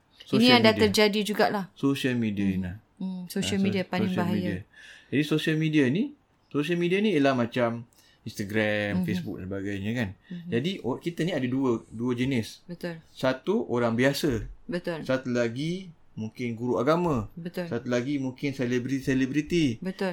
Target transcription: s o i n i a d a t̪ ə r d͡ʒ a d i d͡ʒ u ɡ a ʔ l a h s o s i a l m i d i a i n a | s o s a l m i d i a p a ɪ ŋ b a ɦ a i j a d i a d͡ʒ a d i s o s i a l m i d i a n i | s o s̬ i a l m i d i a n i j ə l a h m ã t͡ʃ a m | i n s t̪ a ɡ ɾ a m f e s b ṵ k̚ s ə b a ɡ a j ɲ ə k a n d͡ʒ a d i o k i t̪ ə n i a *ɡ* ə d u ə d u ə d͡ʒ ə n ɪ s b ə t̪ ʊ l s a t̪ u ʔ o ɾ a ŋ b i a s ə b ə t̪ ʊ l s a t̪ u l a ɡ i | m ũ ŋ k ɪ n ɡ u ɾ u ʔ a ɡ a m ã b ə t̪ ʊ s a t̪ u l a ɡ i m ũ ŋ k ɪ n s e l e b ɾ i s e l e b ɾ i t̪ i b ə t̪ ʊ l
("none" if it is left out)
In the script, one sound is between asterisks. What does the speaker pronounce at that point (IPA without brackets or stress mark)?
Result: d